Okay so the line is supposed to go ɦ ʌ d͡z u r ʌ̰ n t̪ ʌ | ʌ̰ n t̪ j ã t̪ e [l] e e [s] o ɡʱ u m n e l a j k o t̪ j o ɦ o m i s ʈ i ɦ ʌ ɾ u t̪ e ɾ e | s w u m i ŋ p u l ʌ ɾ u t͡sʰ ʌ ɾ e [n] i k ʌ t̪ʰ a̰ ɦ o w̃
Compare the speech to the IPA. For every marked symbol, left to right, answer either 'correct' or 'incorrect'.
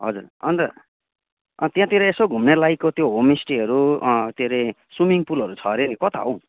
incorrect: ɾ, correct, correct

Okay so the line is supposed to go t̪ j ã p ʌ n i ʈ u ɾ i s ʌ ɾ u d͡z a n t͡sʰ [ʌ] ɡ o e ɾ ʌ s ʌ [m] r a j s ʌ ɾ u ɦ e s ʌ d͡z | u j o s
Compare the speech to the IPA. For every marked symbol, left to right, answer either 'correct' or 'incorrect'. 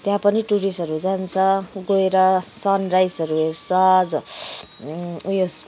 correct, incorrect: n

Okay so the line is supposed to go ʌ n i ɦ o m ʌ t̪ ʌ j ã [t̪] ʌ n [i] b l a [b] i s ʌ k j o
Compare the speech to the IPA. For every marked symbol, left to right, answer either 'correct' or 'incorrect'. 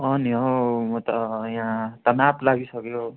correct, incorrect: a, incorrect: ɡ

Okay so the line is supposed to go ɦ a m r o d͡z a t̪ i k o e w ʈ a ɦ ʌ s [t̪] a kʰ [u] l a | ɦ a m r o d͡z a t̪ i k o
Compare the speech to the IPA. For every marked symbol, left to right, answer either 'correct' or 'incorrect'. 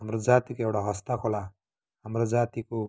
correct, incorrect: o

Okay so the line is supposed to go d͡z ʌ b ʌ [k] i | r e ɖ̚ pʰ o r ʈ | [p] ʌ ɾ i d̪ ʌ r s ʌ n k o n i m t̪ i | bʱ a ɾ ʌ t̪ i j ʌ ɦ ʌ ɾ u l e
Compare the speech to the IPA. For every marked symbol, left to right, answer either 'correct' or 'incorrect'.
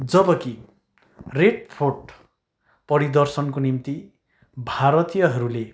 correct, correct

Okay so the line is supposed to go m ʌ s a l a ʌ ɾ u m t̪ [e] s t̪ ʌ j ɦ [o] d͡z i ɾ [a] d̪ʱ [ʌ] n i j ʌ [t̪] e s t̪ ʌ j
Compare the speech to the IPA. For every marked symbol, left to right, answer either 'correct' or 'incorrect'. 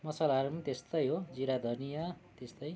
correct, correct, correct, correct, correct

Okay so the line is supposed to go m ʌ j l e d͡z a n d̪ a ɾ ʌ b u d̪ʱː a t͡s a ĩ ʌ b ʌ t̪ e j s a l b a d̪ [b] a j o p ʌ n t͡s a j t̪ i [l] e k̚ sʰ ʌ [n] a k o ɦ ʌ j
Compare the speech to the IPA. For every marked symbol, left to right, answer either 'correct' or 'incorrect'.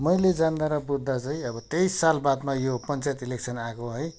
incorrect: m, correct, correct

